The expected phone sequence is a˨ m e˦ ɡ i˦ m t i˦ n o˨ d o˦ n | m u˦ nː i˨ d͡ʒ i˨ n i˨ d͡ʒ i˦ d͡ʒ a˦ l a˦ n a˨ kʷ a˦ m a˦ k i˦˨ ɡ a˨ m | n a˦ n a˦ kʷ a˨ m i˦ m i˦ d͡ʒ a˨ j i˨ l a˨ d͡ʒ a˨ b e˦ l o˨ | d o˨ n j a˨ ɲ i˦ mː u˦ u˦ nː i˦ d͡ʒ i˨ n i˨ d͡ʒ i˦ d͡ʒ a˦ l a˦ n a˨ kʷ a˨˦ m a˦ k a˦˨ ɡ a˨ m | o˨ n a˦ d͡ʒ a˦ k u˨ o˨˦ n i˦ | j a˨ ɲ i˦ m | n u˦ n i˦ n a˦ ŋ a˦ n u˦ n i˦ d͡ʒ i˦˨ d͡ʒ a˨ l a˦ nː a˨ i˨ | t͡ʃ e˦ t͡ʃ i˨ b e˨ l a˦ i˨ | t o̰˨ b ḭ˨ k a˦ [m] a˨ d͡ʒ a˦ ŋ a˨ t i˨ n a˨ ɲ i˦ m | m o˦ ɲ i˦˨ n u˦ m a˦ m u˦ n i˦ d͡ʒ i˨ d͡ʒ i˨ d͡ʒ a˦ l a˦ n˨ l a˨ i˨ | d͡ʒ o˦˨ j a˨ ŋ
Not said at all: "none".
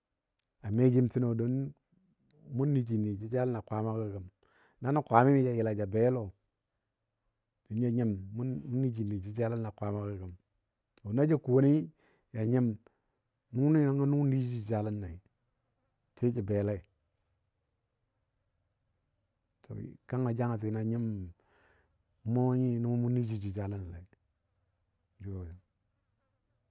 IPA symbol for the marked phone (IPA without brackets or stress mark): ŋ